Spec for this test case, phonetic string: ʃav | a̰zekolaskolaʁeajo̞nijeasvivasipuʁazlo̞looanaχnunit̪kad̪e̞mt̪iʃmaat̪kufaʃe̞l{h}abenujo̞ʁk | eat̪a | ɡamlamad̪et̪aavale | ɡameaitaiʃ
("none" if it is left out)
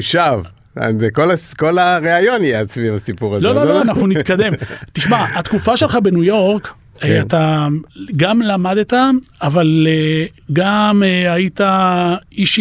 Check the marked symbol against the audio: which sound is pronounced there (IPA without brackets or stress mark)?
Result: χ